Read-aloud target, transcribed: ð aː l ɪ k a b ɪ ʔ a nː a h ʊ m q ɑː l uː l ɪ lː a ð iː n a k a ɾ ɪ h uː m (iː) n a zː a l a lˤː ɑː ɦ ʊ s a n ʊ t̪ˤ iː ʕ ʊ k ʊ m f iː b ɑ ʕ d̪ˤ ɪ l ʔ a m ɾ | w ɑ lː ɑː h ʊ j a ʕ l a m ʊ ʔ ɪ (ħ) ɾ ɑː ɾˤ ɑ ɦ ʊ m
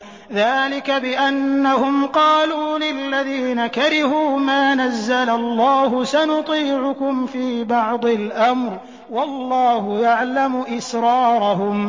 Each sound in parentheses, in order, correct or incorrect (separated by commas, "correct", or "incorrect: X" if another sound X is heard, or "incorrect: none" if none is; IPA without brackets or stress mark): incorrect: aː, incorrect: s